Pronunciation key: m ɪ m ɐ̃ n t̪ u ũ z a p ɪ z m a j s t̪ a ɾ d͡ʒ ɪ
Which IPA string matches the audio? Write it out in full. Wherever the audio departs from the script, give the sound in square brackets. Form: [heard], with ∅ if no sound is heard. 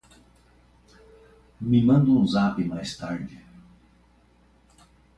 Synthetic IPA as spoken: m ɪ m ɐ̃ n [d̪] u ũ z a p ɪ [∅] m a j s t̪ a ɾ d͡ʒ ɪ

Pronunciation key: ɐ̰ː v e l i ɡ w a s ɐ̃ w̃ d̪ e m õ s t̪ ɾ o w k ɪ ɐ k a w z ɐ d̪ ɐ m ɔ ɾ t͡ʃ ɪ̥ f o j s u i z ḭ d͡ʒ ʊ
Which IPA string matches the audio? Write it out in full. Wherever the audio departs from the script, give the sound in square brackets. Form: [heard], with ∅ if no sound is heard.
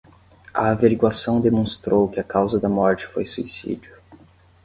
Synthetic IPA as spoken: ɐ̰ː v e [ɾ] i ɡ w a s ɐ̃ w̃ d̪ e m õ s t̪ ɾ o w k ɪ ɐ k a w z ɐ d̪ ɐ m ɔ ɾ t͡ʃ ɪ̥ f o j s u i [s] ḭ d͡ʒ ʊ

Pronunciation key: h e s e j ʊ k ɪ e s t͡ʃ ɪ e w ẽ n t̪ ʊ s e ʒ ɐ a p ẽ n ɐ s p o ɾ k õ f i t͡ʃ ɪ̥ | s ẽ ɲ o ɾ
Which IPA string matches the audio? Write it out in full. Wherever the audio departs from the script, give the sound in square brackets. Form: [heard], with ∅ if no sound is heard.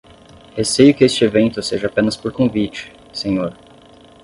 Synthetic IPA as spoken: h e s e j ʊ k ɪ e s t͡ʃ ɪ e [v] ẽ n t̪ ʊ s e ʒ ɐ a p ẽ n ɐ s p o ɾ k õ [v] i t͡ʃ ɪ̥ | s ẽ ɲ o ɾ

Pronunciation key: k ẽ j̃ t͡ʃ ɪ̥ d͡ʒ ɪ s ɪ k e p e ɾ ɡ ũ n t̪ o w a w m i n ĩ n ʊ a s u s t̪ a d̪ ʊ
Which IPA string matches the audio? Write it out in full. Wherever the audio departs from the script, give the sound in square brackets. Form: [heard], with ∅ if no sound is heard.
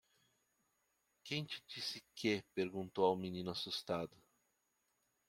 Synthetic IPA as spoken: k ẽ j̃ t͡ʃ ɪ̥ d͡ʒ [i] s ɪ k e p e ɾ ɡ ũ n t̪ o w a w m i n ĩ n ʊ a s u s t̪ a d̪ ʊ

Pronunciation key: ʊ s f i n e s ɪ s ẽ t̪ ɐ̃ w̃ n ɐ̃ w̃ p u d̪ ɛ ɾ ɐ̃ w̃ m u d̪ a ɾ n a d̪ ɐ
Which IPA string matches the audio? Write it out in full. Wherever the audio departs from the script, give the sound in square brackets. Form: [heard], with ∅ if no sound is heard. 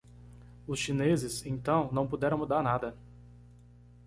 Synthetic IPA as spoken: ʊ s [ʃ] i n e [z] ɪ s ẽ t̪ ɐ̃ w̃ n ɐ̃ w̃ p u d̪ ɛ ɾ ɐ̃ w̃ m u d̪ a ɾ n a d̪ ɐ

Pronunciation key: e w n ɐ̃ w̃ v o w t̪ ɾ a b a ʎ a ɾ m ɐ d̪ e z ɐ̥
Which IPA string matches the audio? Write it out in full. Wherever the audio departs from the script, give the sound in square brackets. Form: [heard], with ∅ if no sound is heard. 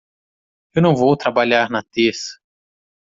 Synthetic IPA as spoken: e w n ɐ̃ w̃ v o w t̪ ɾ a b a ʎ a ɾ [n] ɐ [t̪] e [s] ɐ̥

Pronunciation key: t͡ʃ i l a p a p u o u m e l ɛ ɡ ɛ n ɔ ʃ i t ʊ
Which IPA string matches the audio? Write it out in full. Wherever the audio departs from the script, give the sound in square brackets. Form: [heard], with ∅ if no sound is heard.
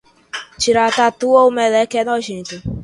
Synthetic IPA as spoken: t͡ʃ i [ɾ] a [t] a [t] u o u m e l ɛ [k] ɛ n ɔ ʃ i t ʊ

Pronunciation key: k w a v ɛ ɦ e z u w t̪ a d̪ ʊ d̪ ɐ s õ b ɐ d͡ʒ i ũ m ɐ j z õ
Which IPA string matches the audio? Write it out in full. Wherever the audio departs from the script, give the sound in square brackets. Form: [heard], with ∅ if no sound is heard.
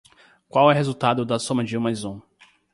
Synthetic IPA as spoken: k w a [w] ɛ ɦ e z u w t̪ a d̪ ʊ d̪ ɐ s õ [m] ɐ d͡ʒ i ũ m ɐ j z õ

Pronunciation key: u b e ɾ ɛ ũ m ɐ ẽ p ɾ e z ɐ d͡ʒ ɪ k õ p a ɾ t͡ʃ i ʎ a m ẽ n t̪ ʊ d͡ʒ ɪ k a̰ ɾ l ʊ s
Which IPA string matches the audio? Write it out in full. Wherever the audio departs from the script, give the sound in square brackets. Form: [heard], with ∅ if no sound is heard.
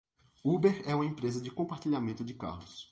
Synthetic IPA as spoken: u b e ɾ ɛ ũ m ɐ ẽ p ɾ e z ɐ d͡ʒ ɪ k õ p a ɾ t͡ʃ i ʎ a m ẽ n t̪ ʊ d͡ʒ ɪ k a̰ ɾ l ʊ s

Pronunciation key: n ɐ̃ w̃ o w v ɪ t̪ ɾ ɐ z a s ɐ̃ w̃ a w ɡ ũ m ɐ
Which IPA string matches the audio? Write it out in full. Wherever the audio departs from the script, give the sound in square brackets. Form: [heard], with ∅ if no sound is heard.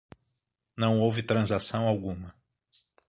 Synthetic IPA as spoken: n ɐ̃ w̃ o w v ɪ t̪ ɾ [ɐ̃] z a s ɐ̃ w̃ a w ɡ ũ m ɐ

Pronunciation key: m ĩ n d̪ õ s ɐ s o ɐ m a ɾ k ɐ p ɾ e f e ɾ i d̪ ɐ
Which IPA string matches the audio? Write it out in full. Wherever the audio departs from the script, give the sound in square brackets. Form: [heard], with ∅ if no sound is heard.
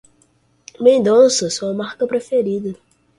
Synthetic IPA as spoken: m [ẽ] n d̪ õ s ɐ s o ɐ m a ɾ k ɐ p ɾ e f e ɾ i d̪ ɐ

